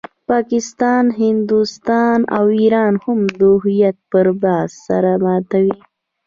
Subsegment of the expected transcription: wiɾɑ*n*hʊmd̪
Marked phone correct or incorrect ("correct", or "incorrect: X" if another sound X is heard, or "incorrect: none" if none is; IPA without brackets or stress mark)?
correct